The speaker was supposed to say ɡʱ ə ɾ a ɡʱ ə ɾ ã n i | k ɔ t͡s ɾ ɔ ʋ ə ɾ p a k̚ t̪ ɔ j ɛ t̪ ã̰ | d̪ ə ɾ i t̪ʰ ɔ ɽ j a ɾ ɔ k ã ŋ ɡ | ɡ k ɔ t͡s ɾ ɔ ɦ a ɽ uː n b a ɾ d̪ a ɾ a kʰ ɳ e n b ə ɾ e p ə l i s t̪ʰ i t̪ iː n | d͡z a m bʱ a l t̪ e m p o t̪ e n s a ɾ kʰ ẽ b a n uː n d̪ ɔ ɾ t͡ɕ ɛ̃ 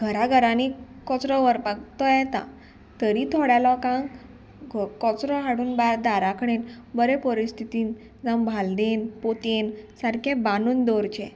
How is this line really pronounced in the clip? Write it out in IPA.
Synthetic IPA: ɡʱ ə ɾ a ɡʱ ə ɾ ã n i | k ɔ t͡s ɾ ɔ ʋ ə ɾ p a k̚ t̪ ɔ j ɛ t̪ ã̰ | t̪ ə ɾ i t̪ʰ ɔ ɽ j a l ɔ k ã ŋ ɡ | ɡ k ɔ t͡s ɾ ɔ ɦ a ɽ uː n b a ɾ d̪ a ɾ a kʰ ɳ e n b ə ɾ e p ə ɾ i s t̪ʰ i t̪ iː n | d͡z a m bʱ a l d̪ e n p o t̪ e n s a ɾ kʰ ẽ b a n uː n d̪ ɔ ɾ t͡ɕ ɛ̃